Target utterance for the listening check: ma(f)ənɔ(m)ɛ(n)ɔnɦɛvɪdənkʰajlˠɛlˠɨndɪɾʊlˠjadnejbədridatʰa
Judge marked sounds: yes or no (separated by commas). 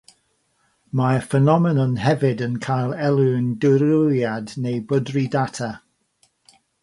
yes, yes, yes